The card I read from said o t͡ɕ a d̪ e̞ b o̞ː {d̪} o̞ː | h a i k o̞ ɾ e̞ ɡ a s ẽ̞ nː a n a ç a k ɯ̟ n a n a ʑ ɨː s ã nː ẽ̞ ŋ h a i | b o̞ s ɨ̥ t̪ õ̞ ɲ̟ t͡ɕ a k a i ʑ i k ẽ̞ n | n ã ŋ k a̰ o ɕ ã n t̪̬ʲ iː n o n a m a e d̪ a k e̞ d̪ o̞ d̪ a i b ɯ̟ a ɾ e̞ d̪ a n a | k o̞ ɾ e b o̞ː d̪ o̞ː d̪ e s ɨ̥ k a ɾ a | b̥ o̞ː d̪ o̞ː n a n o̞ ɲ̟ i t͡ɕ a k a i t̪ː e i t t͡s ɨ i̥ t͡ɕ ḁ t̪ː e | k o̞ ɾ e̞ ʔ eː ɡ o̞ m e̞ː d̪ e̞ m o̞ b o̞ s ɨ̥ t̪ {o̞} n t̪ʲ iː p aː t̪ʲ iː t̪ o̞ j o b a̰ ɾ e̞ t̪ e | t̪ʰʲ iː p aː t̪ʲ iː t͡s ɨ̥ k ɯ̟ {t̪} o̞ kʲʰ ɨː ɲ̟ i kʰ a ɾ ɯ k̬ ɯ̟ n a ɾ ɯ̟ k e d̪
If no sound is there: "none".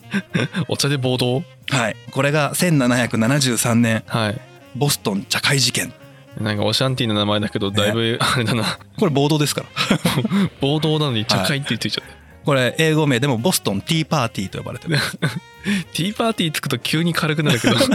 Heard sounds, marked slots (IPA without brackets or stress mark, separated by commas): d̪, õ̞, t̪